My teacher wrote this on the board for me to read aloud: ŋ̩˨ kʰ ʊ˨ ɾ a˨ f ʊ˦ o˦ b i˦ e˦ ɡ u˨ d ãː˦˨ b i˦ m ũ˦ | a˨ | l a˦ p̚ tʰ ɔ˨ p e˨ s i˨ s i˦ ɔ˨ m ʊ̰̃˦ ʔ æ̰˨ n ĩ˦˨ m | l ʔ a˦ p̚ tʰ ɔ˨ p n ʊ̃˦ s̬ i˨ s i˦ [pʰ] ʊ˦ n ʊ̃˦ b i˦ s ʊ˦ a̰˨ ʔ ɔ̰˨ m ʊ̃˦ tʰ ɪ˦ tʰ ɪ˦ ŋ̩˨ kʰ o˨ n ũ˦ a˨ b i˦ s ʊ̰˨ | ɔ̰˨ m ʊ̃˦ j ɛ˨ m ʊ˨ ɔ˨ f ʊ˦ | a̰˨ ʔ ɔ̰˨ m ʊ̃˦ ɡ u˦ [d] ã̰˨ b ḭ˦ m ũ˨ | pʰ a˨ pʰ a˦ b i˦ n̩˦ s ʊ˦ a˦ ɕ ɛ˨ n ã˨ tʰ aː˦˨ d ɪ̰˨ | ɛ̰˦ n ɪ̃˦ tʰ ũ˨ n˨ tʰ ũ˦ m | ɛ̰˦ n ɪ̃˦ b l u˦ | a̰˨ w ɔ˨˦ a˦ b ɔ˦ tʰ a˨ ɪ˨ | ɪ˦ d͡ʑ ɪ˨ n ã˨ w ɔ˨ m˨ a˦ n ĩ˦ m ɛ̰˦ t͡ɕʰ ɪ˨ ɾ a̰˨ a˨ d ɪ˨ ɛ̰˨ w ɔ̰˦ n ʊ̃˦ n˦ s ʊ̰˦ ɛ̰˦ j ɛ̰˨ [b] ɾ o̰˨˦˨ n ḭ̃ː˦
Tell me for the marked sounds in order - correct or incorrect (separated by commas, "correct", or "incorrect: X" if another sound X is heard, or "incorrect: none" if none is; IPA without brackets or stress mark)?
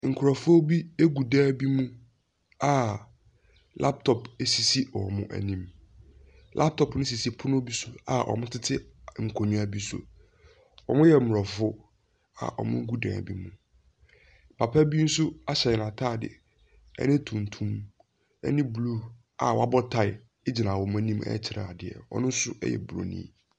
correct, correct, correct